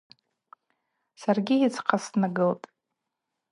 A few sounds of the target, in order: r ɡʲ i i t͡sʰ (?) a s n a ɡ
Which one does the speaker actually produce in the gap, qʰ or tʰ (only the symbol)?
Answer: qʰ